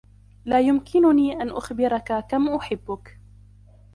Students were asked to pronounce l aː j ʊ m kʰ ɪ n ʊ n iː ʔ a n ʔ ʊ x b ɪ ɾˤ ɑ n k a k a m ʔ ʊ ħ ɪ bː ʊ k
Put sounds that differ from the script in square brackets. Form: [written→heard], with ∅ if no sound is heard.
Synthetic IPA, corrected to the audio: l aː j ʊ m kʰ ɪ n ʊ n iː ʔ a n ʔ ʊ x b ɪ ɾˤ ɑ [n→∅] k a k a m ʔ ʊ ħ ɪ bː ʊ k